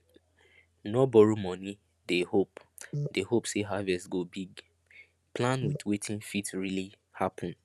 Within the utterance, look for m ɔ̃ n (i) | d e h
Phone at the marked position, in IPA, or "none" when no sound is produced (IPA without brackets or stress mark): i